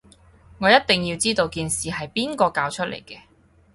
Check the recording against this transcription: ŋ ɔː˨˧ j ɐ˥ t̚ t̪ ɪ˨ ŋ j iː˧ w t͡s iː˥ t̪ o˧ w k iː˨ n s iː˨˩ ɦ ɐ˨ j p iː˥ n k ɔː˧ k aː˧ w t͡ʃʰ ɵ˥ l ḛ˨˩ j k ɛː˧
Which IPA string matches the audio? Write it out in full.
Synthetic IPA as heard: ŋ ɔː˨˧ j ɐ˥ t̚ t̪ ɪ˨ ŋ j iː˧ w t͡s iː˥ t̪ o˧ w k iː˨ n s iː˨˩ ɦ ɐ˨ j p iː˥ n k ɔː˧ k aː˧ w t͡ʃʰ ɵ˥ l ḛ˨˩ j k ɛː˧